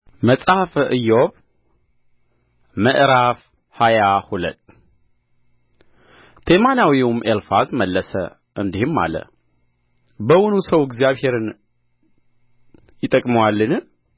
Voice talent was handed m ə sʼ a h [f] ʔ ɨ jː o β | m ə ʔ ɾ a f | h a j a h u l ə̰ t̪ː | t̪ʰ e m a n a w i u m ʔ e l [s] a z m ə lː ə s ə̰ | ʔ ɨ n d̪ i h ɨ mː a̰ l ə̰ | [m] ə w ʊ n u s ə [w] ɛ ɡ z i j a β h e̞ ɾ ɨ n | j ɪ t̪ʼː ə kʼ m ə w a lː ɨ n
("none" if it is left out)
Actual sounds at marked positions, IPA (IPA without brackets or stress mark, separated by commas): f, f, b, w